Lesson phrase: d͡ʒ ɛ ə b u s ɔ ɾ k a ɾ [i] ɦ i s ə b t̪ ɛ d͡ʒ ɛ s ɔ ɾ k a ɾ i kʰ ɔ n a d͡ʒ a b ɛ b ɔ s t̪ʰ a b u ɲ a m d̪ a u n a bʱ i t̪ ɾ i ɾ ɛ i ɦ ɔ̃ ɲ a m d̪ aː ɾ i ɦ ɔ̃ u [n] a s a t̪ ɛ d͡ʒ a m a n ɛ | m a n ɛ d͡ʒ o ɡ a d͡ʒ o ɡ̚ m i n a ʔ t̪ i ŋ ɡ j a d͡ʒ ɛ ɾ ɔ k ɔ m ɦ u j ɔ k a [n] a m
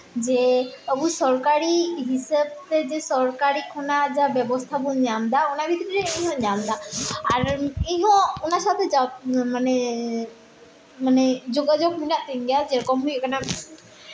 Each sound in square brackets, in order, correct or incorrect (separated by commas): correct, correct, correct